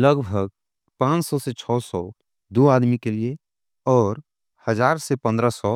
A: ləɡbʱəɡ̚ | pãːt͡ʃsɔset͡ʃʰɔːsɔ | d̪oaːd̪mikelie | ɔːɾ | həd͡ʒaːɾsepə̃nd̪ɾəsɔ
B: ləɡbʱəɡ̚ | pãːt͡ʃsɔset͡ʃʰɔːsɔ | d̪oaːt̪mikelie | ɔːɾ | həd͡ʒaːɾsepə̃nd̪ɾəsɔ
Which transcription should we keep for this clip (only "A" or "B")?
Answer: A